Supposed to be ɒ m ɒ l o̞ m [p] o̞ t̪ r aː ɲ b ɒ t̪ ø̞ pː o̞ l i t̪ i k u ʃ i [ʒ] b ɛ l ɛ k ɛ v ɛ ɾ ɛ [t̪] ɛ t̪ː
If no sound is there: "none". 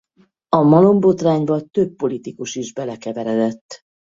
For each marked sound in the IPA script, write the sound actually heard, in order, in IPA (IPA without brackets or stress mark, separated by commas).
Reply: b, ʒ, d̪